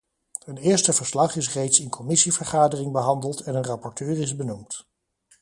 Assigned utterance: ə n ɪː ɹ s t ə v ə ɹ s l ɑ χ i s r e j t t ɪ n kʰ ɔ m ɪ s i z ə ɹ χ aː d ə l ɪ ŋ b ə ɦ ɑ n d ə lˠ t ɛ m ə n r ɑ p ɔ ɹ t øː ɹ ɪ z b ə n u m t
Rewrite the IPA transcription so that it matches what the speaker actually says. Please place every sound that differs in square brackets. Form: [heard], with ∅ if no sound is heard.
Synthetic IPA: ə n ɪː ɹ s t ə v ə ɹ s l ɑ χ [ɪ] s r e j t [s] ɪ n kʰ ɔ m ɪ s i [v] ə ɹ χ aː d ə [r] ɪ ŋ b ə ɦ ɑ n d ə lˠ t ɛ [n] ə n r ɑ p ɔ ɹ t øː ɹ ɪ z b ə n u m t